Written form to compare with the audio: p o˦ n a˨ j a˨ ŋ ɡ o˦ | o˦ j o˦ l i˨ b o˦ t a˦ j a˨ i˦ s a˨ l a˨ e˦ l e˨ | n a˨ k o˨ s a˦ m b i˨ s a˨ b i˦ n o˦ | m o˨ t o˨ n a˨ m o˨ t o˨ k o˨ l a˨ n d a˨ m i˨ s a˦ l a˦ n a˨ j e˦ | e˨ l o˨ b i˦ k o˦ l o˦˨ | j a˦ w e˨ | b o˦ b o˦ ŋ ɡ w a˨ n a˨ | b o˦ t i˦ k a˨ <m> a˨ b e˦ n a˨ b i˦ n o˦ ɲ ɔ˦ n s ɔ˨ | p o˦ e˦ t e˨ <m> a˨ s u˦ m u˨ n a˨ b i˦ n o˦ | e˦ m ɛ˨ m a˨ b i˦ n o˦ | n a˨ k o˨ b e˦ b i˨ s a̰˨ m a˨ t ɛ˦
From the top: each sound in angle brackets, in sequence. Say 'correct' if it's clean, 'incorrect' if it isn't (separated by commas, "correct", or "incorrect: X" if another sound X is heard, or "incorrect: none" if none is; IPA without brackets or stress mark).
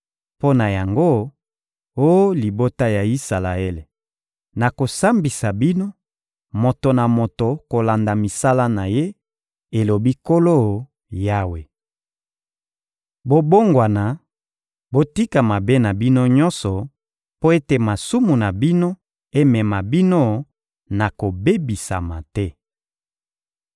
correct, correct